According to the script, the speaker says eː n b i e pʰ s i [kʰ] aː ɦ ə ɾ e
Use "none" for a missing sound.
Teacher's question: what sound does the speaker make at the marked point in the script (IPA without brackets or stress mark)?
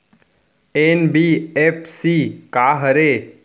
k